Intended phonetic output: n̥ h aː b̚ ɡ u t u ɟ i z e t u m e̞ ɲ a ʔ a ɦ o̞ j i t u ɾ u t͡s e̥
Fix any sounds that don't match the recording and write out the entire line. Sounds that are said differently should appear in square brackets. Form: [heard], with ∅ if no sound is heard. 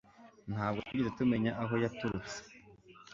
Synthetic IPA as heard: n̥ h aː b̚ ɡ [o] t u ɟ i z e t u m e̞ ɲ a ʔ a ɦ o̞ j [a] t u ɾ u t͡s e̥